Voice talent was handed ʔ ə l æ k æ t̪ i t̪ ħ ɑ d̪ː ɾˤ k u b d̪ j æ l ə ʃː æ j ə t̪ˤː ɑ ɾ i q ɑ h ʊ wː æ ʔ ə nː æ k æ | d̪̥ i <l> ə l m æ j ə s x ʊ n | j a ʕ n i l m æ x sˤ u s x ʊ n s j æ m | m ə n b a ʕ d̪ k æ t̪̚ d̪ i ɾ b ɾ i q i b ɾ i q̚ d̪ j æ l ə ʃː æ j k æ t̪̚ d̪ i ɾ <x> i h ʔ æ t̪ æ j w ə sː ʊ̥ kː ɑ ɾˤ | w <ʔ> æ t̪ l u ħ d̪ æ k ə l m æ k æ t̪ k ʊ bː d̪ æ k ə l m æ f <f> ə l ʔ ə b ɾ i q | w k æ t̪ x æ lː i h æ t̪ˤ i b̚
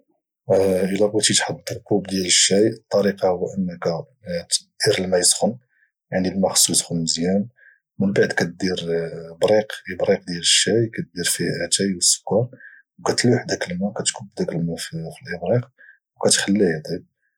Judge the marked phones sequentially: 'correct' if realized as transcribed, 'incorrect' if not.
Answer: incorrect: ɾ, incorrect: f, incorrect: k, correct

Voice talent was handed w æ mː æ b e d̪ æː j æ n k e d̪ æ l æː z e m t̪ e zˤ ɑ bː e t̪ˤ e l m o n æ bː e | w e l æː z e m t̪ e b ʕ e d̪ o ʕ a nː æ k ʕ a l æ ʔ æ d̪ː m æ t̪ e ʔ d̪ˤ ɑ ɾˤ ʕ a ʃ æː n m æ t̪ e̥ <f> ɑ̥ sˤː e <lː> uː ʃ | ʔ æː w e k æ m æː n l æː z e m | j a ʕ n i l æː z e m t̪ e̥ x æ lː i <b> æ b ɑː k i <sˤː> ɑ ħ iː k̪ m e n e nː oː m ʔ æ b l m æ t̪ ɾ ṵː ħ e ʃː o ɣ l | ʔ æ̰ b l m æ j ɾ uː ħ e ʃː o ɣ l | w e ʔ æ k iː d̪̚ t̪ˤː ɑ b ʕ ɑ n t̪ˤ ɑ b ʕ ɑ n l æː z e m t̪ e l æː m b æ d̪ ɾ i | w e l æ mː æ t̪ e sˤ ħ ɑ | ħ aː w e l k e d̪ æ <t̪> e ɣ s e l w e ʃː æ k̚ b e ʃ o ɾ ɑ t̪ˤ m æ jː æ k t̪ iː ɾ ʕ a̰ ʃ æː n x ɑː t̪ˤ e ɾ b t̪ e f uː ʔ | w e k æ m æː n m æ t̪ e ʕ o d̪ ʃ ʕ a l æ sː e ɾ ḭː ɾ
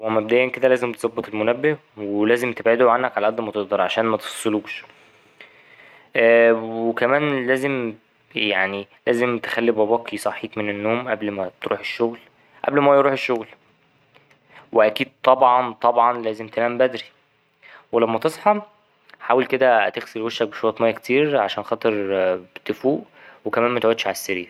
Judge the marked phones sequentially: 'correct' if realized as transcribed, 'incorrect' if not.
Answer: correct, incorrect: l, correct, incorrect: sˤ, correct

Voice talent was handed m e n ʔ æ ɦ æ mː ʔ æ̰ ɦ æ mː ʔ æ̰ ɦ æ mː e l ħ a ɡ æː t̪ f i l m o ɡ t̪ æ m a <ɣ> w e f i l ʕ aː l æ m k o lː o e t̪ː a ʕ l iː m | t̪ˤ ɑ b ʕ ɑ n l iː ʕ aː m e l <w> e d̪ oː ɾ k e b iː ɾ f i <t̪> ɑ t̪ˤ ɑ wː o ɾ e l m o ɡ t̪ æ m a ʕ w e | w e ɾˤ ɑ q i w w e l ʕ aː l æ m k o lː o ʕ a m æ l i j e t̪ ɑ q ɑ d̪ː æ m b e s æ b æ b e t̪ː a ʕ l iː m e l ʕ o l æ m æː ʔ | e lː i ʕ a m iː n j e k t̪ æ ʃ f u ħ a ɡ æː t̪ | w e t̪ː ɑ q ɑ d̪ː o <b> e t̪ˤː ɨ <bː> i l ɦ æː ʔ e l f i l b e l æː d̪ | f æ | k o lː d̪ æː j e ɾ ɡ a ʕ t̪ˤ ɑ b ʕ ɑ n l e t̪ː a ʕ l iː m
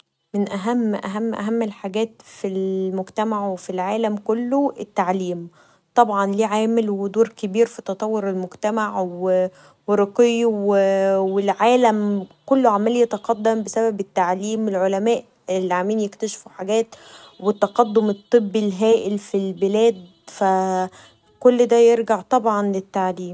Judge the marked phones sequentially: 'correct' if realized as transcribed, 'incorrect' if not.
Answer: incorrect: ʕ, correct, correct, incorrect: m, correct

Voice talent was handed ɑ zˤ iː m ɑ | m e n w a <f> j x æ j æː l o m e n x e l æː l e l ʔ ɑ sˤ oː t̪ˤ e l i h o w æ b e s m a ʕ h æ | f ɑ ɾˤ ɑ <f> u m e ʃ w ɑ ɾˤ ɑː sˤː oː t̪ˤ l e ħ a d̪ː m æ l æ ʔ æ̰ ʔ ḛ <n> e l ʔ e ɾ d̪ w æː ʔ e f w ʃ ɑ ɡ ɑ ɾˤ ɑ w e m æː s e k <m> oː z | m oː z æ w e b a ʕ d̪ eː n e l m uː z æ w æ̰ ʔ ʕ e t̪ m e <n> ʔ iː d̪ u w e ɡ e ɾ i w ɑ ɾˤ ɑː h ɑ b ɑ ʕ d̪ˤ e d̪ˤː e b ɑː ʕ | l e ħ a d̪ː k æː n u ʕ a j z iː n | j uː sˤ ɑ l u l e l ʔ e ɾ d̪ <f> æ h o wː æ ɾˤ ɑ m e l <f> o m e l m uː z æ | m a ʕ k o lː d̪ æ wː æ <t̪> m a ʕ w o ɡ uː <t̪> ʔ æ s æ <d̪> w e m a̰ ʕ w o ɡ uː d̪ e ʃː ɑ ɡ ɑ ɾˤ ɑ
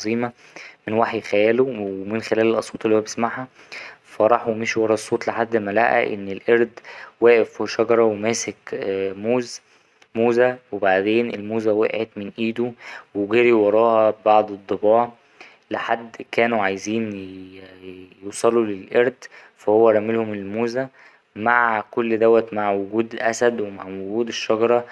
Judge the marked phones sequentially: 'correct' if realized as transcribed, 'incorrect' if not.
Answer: incorrect: ħ, incorrect: ħ, incorrect: nː, correct, correct, correct, incorrect: h, correct, incorrect: d̪, correct

